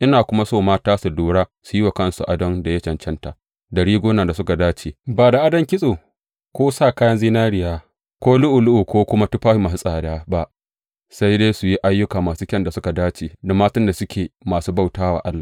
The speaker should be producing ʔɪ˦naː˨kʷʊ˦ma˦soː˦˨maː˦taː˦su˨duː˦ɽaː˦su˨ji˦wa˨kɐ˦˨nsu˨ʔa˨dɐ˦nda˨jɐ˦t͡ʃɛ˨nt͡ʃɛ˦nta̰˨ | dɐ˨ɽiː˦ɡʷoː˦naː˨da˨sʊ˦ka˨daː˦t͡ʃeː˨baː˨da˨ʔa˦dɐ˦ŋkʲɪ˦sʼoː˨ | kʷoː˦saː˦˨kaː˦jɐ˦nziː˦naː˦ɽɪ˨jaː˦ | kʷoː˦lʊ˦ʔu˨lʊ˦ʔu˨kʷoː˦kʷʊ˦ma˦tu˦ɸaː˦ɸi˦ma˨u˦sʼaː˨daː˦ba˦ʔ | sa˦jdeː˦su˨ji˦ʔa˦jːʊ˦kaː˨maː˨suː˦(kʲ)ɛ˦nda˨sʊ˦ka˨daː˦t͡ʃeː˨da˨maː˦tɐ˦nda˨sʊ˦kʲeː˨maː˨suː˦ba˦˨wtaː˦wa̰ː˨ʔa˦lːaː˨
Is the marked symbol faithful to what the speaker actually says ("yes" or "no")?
yes